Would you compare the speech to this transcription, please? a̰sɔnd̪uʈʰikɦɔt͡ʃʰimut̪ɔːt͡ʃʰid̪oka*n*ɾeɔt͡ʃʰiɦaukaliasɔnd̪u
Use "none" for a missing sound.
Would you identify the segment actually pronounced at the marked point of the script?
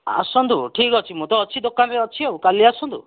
n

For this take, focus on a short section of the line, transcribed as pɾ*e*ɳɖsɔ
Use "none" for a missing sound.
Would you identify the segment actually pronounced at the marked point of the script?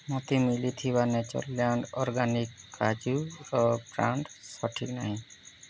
a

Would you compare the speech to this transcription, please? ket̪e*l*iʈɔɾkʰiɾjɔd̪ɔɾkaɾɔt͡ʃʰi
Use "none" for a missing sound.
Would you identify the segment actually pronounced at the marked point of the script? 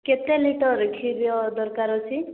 l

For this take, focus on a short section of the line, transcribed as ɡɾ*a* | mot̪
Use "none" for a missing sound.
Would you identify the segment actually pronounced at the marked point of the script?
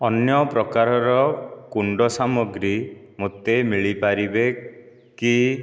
i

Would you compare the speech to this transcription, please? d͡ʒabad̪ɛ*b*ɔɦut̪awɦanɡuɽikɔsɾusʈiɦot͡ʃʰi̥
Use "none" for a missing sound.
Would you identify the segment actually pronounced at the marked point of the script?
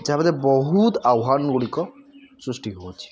b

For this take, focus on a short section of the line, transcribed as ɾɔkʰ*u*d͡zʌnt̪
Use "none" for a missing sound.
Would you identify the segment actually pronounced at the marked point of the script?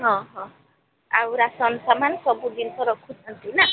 u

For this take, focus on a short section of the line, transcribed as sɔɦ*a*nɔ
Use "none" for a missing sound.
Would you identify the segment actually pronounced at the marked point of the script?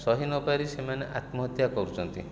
i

